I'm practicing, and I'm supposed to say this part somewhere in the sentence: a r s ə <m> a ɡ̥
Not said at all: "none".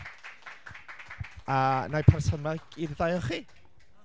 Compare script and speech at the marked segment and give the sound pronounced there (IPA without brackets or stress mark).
m